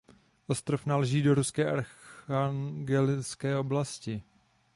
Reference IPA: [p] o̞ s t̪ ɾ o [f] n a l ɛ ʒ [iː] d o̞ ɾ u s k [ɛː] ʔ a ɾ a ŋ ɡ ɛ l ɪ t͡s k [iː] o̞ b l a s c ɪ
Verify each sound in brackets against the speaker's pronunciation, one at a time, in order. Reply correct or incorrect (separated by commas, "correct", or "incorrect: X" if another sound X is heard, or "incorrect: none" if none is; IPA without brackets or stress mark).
incorrect: ʔ, correct, correct, correct, incorrect: ɛː